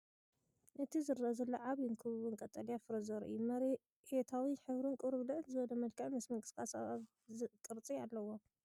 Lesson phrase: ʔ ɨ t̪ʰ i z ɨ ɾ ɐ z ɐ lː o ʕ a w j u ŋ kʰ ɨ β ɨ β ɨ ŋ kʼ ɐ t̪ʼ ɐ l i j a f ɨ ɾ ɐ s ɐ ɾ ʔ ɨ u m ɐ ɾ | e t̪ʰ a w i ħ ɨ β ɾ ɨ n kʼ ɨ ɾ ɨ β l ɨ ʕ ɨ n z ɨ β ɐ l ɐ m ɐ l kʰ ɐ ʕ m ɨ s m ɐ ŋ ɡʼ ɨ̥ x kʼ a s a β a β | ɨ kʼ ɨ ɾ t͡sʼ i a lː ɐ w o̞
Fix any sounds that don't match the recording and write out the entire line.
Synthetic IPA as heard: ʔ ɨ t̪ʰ i z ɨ ɾ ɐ z ɐ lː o ʕ a β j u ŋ kʰ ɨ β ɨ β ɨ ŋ kʼ ɐ t̪ʼ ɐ l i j a f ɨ ɾ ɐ z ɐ ɾ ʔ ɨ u m ɐ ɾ | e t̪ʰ a w i ħ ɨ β ɾ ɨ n kʼ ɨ ɾ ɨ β l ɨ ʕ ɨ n z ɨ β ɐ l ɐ m ɐ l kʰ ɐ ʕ m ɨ s m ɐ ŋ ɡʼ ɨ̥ s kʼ a s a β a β | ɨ kʼ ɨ ɾ t͡sʼ i a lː ɐ w o̞

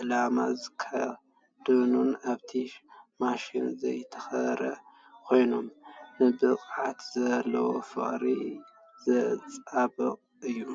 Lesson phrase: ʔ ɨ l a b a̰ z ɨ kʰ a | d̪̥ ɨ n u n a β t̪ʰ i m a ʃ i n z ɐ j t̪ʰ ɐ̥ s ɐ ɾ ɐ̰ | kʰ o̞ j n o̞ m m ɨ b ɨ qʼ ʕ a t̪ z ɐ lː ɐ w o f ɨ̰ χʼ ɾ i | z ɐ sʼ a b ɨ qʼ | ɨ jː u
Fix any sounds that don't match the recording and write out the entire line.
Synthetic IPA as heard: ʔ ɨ l a m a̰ z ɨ kʰ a | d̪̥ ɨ n u n a β t̪ʰ i m a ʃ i n z ɐ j t̪ʰ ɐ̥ x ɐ ɾ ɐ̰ | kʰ o̞ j n o̞ m n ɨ b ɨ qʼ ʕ a t̪ z ɐ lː ɐ w o f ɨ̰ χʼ ɾ i | z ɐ t͡sʼ a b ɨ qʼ | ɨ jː u

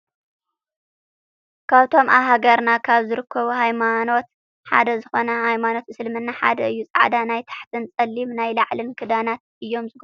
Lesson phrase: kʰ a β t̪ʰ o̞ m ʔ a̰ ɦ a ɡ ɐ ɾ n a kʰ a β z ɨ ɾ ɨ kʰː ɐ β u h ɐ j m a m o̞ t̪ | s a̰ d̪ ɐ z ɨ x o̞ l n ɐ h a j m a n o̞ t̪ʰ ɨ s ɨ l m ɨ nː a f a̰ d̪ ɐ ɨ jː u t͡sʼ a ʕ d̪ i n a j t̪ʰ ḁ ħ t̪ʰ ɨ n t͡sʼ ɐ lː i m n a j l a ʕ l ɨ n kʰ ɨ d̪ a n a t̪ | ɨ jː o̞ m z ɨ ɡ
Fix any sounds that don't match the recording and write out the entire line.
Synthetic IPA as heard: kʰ a β t̪ʰ o̞ m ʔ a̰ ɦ a ɡ ɐ ɾ n a kʰ a β z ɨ ɾ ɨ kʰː ɐ β u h a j m a n o̞ t̪ | ħ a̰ d̪ ɐ z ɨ x o̞ n ɐ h a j m a n o̞ t̪ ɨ s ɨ l m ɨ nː a ħ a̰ d̪ ɐ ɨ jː u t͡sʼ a ʕ d̪ a n a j t̪ʰ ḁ ħ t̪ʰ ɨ n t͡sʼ ɐ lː i m n a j l a ʕ l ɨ n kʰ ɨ d̪ a n a t̪ | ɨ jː o̞ m z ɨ ɡ

